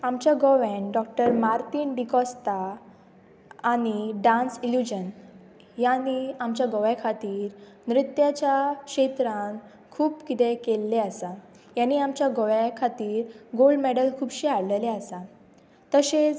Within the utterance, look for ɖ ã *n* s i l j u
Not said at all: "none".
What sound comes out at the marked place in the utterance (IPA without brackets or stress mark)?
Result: n